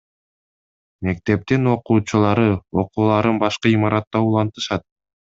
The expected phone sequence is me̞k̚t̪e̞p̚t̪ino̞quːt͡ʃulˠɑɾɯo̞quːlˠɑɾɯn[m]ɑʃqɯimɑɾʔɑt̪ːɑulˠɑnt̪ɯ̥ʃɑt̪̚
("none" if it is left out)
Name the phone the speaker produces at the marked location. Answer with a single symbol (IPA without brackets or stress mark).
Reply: b